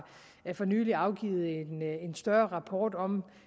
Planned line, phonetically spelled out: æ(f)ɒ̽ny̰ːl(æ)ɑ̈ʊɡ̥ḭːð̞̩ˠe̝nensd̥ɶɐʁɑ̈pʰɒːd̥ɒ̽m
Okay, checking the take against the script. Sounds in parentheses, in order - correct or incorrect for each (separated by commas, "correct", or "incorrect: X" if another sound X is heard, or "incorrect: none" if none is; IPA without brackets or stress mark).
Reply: correct, incorrect: i